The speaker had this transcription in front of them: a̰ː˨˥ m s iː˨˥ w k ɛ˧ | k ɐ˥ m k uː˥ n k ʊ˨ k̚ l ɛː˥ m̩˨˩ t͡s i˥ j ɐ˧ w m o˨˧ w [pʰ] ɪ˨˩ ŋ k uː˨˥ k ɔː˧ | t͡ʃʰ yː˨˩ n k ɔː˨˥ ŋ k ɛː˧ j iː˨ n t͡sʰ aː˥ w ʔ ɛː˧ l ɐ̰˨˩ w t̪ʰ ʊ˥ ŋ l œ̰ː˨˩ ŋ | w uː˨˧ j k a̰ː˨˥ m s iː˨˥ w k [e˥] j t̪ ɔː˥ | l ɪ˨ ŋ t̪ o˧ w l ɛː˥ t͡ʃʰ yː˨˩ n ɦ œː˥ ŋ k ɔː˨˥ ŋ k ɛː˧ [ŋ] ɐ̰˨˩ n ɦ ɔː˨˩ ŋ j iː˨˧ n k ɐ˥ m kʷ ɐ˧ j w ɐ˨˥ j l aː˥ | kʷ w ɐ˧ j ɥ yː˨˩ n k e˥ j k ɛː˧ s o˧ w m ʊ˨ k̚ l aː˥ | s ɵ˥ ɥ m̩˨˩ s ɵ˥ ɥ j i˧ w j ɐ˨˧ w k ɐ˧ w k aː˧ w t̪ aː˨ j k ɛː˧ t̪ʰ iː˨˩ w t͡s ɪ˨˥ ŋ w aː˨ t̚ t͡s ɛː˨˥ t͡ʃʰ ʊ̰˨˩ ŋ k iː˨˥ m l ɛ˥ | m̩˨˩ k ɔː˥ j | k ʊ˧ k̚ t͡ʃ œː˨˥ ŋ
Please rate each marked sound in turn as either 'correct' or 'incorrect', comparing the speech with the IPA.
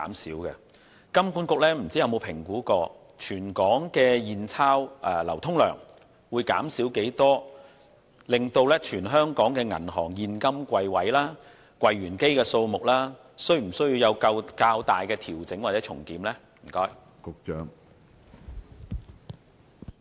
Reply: correct, incorrect, correct

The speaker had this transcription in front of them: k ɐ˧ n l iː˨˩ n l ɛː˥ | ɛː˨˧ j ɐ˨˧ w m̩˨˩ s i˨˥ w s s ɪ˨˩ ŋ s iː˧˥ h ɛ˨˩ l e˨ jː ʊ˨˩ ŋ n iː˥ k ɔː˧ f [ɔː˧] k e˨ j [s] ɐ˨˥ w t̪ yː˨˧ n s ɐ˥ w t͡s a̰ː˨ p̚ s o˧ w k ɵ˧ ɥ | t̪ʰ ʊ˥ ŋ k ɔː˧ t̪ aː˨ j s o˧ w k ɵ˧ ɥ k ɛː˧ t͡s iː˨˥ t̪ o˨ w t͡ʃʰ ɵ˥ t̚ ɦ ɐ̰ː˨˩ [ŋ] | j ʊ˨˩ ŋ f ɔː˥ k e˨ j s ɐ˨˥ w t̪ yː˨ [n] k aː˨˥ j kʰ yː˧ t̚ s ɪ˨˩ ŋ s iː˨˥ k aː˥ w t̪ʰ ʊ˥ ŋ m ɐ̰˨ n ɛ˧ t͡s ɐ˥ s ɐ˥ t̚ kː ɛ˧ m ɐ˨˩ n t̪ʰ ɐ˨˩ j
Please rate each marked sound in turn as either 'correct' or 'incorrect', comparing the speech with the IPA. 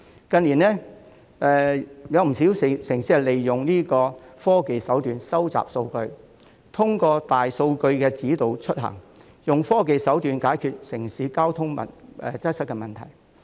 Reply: incorrect, correct, correct, correct

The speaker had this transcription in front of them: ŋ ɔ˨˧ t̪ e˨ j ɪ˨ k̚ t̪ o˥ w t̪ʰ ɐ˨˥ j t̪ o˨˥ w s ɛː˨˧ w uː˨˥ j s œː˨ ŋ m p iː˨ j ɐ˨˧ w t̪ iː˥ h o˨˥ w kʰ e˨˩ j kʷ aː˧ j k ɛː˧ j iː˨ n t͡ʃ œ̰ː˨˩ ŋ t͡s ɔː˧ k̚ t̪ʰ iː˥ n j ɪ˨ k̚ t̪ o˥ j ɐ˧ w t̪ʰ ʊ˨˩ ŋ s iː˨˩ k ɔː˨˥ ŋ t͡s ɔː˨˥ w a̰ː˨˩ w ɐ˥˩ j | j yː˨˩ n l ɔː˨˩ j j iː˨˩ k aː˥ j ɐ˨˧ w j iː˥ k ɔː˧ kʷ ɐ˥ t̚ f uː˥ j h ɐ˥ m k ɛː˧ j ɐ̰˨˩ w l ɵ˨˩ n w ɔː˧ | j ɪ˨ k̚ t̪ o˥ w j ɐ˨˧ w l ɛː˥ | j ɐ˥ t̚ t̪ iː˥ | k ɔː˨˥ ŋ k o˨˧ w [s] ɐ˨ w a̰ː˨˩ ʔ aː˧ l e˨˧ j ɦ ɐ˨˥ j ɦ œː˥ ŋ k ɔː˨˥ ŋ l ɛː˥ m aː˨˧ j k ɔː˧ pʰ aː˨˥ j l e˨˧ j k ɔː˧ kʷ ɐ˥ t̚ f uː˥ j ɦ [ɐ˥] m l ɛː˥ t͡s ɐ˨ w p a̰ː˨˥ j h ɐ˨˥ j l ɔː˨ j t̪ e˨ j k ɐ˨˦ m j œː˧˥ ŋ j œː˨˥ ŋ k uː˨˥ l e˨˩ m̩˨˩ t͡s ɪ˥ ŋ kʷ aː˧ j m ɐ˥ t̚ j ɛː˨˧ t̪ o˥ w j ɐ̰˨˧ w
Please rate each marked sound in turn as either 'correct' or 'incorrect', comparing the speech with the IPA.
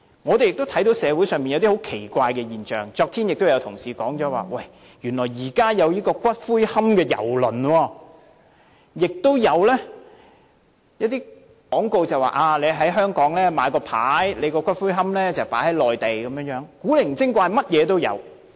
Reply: incorrect, correct

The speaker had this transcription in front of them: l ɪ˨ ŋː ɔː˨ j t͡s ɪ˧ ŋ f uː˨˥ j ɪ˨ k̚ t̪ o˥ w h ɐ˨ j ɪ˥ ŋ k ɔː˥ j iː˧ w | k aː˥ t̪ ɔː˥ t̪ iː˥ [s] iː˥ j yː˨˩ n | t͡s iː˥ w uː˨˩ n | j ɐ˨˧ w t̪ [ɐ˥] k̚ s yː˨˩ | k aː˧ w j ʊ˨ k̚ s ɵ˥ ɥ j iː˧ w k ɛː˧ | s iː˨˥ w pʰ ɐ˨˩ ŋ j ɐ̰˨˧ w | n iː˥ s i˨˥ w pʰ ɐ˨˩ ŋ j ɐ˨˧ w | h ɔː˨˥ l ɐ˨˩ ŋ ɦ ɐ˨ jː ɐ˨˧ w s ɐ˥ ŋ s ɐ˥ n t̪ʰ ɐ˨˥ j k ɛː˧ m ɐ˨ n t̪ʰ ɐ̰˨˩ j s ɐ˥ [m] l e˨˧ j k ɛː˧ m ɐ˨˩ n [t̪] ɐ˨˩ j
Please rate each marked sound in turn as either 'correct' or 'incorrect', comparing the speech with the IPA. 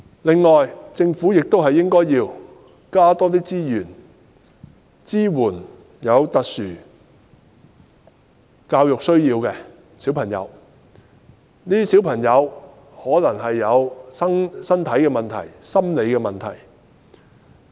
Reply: incorrect, incorrect, correct, incorrect

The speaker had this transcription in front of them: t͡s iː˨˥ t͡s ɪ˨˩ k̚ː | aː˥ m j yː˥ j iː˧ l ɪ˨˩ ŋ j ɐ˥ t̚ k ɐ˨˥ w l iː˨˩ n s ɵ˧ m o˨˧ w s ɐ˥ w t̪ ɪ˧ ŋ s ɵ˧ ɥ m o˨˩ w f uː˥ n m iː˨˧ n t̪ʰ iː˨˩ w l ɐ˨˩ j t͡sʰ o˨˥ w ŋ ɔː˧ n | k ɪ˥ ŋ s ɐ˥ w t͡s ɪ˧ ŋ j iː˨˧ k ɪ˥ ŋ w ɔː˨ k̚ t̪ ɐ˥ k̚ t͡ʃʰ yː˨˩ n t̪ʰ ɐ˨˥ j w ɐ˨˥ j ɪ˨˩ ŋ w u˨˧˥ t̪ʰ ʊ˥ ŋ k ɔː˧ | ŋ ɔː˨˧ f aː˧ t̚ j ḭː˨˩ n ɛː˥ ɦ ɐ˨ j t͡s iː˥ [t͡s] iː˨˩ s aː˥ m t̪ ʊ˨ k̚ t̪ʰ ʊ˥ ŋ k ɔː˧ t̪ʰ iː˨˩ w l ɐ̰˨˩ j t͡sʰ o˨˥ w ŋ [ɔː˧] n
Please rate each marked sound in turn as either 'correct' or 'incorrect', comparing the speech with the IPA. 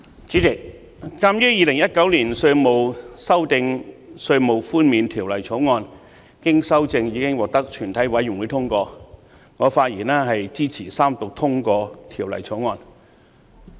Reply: incorrect, correct

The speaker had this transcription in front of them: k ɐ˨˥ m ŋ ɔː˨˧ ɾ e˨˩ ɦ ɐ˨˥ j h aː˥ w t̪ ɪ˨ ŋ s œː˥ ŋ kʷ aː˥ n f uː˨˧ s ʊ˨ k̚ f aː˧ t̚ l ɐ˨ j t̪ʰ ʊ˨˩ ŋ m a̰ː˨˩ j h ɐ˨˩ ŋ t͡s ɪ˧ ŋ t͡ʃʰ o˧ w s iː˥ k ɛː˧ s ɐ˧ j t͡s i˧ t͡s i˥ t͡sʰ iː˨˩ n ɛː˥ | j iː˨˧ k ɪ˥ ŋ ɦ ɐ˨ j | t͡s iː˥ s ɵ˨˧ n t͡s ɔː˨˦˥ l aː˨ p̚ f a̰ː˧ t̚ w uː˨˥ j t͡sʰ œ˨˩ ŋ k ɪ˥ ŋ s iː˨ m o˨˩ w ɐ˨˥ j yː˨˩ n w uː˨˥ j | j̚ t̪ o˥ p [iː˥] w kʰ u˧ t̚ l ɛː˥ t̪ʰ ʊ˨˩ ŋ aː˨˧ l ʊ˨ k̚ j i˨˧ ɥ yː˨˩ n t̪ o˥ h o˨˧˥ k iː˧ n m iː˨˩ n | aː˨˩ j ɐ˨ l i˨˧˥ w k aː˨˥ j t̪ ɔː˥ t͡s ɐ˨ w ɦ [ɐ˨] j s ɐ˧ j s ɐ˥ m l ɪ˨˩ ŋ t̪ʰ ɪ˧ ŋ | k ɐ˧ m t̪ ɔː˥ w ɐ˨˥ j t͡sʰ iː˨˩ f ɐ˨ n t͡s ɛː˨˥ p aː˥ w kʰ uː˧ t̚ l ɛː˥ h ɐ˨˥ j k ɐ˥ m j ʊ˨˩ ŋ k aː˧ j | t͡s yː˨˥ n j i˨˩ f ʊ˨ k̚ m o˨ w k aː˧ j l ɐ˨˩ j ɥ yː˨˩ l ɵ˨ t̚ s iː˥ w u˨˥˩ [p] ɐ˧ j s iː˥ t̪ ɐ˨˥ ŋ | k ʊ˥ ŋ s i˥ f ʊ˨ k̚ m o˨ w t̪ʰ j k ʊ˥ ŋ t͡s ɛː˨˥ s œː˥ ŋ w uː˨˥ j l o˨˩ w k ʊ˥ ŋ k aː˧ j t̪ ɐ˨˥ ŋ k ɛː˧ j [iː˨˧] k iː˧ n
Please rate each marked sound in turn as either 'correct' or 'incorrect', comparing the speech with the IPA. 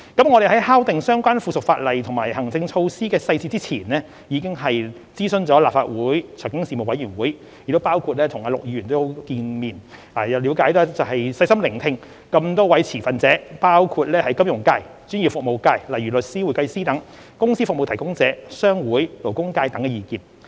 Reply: incorrect, correct, incorrect, correct

